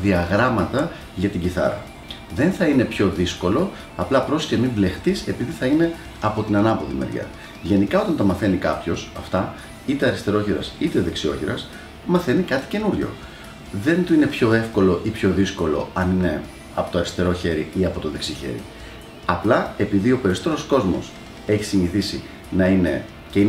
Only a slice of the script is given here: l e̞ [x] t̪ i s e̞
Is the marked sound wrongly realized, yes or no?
no